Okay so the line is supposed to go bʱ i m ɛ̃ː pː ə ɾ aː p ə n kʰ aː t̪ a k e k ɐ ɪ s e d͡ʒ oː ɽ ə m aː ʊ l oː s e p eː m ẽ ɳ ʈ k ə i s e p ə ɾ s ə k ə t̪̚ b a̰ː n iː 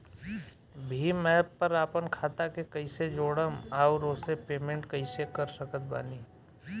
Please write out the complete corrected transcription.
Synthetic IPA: bʱ i m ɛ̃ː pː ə ɾ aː p ə n kʰ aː t̪ a k e k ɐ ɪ s e d͡ʒ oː ɽ ə m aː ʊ ɾ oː s e p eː m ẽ ɳ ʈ k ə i s e k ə ɾ s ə k ə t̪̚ b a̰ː n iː